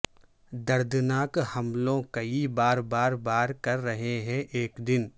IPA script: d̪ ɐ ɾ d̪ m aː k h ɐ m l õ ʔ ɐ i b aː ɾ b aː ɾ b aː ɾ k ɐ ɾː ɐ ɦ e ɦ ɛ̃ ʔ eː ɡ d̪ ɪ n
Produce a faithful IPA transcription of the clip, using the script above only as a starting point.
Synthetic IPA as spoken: d̪ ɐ ɾ d̪ n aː k h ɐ m l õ k ɐ i b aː ɾ b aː ɾ b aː ɾ k ɐ ɾː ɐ ɦ e ɦ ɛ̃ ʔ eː k d̪ ɪ n